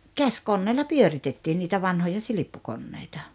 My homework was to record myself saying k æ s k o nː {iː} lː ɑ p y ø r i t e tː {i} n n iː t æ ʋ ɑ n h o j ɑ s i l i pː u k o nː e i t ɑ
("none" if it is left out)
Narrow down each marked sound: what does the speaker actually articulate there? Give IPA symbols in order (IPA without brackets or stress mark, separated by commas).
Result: eː, iː